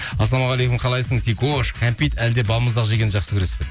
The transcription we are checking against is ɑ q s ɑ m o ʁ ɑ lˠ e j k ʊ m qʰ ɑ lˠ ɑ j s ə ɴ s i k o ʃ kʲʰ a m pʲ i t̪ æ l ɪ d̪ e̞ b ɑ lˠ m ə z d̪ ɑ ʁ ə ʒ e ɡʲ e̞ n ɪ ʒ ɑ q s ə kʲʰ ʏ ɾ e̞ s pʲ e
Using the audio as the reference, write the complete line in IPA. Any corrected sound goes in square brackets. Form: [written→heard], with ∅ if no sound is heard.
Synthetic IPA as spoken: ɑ [q→∅] s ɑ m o ʁ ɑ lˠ e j k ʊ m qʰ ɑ lˠ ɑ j s ə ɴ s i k o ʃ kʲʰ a m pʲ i t̪ æ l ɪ d̪ e̞ b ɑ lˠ m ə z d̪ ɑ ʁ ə ʒ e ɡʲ e̞ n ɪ ʒ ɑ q s ə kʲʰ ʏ ɾ e̞ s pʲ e

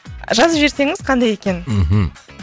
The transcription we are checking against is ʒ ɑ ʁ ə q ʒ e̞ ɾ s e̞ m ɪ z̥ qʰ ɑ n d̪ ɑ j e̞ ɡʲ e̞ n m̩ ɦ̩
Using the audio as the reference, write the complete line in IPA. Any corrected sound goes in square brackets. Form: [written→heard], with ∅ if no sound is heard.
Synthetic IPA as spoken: ʒ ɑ [ʁ→z] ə [q→p] ʒ e̞ ɾ s e̞ [m→ŋ] ɪ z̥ qʰ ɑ n d̪ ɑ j e̞ [ɡʲ→kʲ] e̞ n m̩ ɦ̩

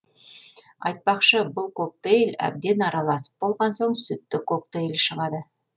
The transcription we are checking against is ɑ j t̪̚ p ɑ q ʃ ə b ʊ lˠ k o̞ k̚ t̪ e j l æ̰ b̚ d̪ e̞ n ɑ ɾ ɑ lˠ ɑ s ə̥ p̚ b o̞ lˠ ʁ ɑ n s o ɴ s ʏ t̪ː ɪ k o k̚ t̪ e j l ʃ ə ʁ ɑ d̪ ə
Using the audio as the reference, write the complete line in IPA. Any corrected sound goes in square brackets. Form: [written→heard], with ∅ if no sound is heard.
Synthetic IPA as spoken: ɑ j t̪̚ p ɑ q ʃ ə b ʊ lˠ k o̞ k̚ t̪ e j l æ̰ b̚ d̪ e̞ n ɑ ɾ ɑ lˠ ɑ s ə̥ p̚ b o̞ lˠ ʁ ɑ n s o ɴ s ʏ t̪ː ɪ k o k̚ t̪ e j l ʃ ə ʁ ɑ d̪ ə

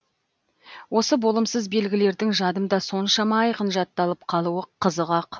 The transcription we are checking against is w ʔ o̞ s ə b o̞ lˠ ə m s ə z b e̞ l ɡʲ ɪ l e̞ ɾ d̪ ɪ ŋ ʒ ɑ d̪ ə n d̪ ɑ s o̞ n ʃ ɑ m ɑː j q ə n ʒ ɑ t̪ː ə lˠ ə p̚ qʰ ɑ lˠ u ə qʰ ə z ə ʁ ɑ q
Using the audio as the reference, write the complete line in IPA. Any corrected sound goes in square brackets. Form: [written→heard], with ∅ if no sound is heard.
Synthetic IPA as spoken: w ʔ o̞ s ə b o̞ lˠ ə m s ə z b e̞ l ɡʲ ɪ l e̞ ɾ d̪ ɪ ŋ ʒ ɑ d̪ ə [n→m] d̪ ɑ s o̞ n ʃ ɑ m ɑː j q ə n ʒ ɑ t̪ː [ə→ɑ] lˠ ə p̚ qʰ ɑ lˠ u ə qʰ ə z ə ʁ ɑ q

